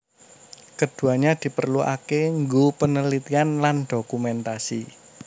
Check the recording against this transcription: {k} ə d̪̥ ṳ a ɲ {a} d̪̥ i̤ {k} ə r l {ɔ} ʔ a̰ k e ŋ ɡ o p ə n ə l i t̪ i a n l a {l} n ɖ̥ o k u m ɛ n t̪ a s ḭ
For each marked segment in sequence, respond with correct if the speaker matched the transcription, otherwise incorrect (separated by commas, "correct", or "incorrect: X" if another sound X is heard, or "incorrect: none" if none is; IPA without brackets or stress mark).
correct, correct, incorrect: p, incorrect: u, incorrect: none